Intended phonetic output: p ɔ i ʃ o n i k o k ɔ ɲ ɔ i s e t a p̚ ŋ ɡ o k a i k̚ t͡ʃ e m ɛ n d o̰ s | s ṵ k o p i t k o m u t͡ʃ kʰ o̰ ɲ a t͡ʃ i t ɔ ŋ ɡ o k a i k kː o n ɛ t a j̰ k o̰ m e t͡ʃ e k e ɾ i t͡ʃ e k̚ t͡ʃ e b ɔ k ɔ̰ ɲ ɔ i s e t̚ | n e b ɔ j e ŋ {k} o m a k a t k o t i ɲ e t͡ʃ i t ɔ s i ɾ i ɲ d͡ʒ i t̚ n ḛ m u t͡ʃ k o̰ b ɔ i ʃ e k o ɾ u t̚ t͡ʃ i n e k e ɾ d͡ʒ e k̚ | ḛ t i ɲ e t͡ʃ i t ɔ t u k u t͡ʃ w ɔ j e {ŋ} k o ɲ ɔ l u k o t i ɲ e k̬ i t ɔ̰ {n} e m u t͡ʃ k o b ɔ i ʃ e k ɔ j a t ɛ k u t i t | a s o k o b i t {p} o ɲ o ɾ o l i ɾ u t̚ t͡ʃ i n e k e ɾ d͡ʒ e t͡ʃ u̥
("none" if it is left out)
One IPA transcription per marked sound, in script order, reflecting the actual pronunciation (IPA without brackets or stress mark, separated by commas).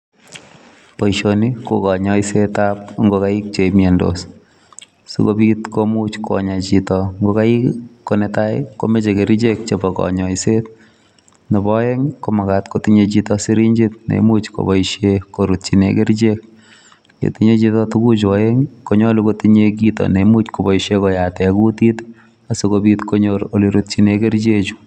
k, ŋ, n, k